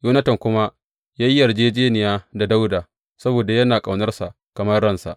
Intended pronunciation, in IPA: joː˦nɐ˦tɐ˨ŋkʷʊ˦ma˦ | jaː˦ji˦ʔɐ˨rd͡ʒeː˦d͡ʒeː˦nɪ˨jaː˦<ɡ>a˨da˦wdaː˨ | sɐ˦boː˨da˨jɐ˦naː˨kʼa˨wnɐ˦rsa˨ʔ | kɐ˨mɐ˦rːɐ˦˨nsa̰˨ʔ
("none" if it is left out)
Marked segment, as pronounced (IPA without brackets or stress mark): d